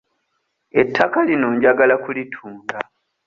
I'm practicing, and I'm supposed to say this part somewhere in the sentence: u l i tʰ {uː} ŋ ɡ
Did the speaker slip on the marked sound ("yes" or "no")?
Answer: no